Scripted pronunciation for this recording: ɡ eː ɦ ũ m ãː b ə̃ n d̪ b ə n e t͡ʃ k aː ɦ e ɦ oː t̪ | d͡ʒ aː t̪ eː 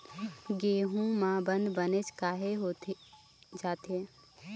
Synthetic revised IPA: ɡ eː ɦ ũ m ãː b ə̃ n d̪ b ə n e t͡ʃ k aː ɦ e ɦ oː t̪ | d͡ʒ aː t̪ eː